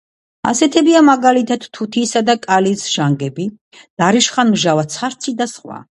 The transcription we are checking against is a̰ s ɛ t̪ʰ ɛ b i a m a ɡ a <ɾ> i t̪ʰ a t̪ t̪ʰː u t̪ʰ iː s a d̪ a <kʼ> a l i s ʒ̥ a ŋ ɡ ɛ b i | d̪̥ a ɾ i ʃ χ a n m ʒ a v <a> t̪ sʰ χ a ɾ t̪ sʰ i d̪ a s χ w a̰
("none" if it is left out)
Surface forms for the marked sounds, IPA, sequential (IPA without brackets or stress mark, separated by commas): l, kʼ, a